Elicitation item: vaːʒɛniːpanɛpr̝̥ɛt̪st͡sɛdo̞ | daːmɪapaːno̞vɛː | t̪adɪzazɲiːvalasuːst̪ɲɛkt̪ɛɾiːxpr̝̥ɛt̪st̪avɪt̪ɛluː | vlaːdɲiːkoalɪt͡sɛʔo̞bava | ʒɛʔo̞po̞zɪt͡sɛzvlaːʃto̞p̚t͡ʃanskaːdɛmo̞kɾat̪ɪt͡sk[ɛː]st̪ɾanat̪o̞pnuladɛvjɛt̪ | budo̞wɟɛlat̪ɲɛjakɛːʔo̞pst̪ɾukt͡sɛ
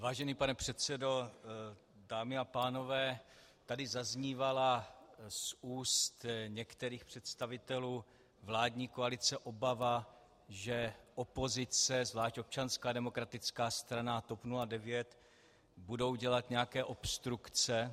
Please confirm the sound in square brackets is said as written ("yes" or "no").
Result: no